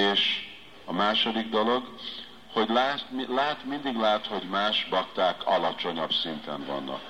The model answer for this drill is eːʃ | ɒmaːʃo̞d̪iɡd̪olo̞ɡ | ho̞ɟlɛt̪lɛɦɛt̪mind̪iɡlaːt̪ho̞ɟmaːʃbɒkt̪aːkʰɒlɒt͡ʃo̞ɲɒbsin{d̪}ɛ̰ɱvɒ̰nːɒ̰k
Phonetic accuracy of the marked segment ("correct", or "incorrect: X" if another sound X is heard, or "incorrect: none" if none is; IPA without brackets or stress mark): incorrect: t̪